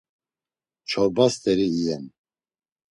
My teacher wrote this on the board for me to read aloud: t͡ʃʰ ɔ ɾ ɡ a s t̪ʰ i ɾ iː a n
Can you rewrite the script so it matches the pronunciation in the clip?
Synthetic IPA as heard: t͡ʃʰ ɔ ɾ b a s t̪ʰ ɛ ɾ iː ɛ n